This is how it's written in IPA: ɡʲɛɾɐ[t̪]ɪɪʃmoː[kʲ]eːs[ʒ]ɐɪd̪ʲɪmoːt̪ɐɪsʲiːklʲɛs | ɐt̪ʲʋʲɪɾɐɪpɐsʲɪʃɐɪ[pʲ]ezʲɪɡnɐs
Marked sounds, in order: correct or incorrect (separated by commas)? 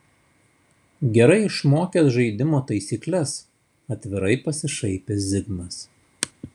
incorrect, correct, correct, correct